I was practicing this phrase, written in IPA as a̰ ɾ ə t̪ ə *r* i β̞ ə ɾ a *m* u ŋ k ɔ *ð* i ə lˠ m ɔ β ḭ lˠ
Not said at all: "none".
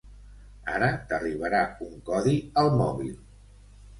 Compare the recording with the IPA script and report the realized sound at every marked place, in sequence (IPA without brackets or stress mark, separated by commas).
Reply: r, none, ð